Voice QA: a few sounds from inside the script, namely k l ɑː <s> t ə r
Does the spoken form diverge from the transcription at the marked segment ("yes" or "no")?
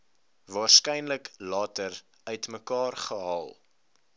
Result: yes